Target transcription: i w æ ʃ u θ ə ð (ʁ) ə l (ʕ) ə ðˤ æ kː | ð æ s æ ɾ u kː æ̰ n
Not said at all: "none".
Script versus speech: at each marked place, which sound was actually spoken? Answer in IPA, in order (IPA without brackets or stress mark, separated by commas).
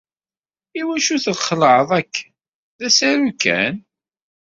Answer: χ, ʕ